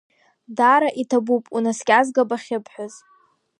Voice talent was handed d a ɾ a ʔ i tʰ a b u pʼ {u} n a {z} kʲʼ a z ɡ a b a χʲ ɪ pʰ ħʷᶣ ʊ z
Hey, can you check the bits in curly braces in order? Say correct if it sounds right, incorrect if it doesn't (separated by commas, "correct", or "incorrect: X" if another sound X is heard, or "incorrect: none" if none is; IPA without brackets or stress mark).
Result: correct, incorrect: s